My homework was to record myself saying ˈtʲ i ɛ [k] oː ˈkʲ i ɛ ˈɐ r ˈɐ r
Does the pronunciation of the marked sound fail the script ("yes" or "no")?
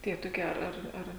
yes